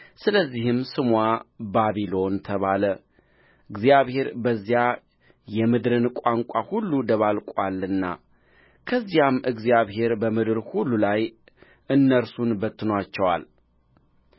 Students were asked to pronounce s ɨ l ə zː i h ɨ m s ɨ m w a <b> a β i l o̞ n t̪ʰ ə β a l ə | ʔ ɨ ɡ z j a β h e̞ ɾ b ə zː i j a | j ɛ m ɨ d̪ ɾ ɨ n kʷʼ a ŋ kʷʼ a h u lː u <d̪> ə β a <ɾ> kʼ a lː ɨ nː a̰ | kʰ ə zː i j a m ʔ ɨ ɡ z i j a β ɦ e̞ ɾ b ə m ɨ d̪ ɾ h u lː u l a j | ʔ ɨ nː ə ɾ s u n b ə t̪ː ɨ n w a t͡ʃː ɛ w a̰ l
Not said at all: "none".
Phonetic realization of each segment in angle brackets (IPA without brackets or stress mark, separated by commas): b, d̪, l